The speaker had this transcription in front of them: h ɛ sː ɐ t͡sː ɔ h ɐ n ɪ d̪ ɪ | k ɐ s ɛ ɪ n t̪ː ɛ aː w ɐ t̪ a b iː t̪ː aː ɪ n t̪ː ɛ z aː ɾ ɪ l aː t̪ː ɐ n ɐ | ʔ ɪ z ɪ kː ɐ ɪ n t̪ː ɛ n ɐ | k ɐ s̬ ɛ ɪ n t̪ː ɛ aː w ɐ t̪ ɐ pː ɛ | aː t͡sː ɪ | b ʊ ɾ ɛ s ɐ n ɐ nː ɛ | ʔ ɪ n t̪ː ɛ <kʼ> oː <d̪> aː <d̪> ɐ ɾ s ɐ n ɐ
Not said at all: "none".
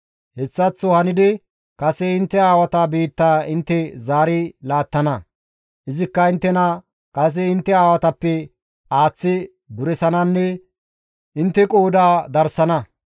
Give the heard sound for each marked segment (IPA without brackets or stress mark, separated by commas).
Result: kʼ, d̪, d̪